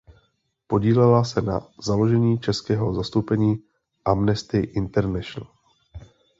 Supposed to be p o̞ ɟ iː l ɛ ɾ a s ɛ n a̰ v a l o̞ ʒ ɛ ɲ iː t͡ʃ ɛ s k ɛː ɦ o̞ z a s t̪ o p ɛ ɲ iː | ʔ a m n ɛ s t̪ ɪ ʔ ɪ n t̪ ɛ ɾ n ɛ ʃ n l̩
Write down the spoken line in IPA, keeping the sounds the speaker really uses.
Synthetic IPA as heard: p o̞ ɟ iː l ɛ l a s ɛ n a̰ z a l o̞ ʒ ɛ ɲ iː t͡ʃ ɛ s k ɛː ɦ o̞ z a s t̪ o p ɛ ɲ iː | ʔ a m n ɛ s t̪ ɪ ʔ ɪ n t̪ ɛ ɾ n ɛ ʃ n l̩